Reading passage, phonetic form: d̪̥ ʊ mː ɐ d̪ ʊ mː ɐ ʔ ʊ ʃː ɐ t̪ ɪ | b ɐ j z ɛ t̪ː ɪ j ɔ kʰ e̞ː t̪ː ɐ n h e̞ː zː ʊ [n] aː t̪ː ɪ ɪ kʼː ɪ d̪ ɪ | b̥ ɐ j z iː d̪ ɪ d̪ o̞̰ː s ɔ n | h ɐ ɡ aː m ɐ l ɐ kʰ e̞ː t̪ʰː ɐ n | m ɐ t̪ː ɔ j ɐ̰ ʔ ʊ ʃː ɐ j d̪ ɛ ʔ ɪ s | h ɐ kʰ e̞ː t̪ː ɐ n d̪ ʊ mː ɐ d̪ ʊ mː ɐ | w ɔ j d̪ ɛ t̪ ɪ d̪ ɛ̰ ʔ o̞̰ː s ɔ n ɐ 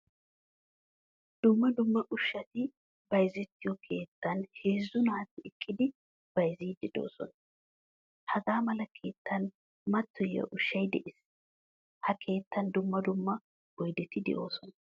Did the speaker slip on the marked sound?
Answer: no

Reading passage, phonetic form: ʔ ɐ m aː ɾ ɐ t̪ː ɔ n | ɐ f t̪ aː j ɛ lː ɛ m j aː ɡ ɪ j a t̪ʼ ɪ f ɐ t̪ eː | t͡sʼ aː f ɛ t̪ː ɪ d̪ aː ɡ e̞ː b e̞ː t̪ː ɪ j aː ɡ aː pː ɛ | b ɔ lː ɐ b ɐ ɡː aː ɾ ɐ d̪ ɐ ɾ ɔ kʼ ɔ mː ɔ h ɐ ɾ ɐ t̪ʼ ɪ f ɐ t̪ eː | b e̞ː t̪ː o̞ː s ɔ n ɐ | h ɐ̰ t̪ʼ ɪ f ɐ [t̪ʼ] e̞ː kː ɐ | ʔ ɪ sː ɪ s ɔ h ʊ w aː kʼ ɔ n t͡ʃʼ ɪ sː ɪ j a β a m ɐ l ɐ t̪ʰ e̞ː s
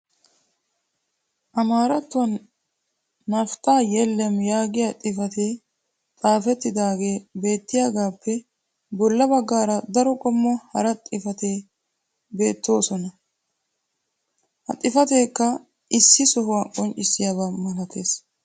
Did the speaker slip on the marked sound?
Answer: yes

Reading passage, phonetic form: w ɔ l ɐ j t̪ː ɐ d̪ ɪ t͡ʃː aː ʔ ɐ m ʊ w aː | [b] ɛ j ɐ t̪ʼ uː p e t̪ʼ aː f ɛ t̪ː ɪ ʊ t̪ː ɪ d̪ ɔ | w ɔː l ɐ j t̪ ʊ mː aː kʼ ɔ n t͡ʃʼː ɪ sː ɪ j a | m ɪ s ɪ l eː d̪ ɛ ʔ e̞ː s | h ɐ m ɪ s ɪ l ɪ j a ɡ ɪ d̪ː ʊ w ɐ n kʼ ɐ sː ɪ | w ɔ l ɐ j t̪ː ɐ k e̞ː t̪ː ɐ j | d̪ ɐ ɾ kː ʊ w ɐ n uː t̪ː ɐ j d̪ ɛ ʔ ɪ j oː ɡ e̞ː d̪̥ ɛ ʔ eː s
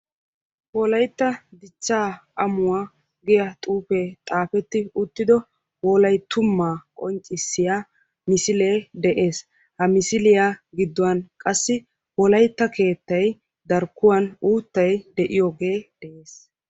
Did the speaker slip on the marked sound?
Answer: yes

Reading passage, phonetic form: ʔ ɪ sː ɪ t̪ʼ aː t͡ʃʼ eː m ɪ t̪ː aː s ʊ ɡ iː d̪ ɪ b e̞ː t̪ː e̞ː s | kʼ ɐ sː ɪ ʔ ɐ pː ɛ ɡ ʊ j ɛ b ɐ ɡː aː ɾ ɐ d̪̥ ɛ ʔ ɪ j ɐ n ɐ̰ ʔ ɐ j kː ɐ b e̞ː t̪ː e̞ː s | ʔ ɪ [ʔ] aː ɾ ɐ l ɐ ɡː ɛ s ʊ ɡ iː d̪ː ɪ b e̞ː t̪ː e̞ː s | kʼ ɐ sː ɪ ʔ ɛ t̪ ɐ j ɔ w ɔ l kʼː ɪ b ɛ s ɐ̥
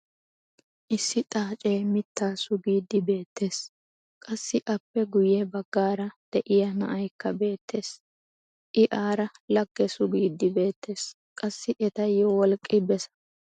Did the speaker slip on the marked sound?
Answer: no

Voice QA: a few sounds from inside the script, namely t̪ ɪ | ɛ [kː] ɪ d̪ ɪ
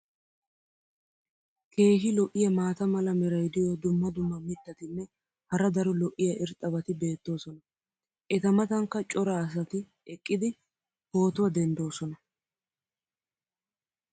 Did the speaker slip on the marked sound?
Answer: yes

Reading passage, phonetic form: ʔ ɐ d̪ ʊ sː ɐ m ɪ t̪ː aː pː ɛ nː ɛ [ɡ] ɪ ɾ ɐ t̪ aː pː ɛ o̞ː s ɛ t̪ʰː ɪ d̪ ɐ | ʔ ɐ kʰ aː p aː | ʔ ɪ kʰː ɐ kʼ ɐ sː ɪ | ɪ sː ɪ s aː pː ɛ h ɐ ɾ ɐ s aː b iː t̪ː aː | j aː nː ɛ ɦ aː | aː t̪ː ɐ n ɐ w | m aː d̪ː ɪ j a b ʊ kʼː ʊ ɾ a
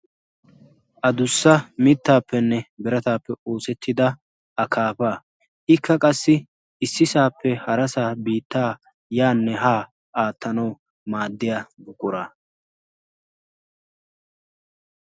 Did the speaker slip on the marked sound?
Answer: yes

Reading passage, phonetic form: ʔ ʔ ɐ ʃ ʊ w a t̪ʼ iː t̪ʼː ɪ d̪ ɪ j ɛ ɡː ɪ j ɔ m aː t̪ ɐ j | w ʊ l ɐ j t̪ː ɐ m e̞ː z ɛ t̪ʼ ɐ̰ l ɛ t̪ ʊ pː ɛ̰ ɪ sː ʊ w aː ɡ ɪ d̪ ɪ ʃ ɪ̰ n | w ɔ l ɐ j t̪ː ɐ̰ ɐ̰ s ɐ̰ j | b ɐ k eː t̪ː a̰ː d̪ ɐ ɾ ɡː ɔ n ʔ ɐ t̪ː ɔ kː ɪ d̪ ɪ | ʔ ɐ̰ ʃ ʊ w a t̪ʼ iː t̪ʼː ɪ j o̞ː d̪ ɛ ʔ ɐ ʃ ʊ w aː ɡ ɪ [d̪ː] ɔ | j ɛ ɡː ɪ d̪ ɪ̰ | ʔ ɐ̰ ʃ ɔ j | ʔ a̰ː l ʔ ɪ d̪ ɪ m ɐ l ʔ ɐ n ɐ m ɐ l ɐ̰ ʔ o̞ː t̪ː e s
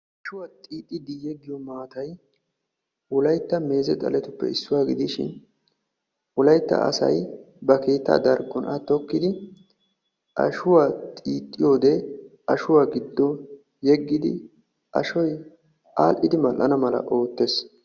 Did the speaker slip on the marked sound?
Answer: no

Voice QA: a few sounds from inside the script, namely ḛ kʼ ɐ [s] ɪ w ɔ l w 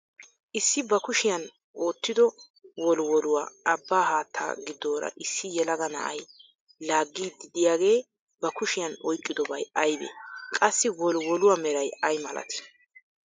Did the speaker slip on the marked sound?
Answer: yes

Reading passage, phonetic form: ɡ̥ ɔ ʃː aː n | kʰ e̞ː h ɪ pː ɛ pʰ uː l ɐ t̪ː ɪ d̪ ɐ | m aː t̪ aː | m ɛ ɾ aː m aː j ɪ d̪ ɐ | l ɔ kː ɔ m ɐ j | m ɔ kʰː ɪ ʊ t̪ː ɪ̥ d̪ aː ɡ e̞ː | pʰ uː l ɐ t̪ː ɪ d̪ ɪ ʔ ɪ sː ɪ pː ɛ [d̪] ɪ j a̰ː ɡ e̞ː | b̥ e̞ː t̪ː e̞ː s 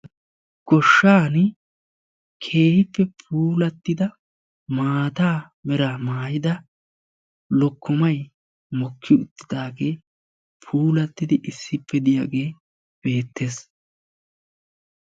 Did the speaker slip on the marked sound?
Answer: no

